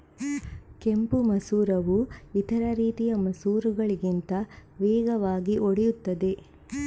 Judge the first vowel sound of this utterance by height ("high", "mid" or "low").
mid